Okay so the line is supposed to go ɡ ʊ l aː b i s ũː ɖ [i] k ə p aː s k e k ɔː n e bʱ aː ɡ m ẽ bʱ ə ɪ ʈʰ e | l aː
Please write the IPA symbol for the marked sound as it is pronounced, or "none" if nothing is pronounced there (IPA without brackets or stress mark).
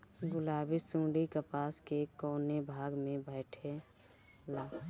i